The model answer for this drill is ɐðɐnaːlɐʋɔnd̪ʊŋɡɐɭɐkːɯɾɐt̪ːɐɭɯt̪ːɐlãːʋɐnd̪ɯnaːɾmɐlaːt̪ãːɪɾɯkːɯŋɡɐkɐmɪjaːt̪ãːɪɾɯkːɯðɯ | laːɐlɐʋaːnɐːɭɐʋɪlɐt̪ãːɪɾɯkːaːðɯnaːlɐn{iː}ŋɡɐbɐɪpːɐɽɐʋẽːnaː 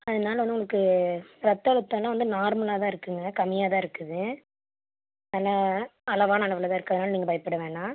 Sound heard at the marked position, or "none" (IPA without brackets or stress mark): iː